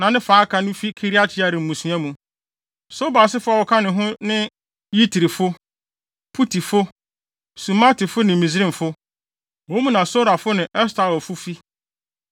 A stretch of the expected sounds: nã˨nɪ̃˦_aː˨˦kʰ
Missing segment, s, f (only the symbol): f